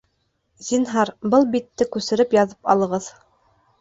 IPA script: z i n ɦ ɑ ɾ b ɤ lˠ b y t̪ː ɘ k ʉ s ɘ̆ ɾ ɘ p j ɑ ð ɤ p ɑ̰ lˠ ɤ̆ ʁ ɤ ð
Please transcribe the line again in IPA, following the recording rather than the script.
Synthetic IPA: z i n ɦ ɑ ɾ b ɤ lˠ b i t̪ː ɘ k ʉ s ɘ̆ ɾ ɘ p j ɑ ð ɤ p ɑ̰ lˠ ɤ̆ ʁ ɤ ð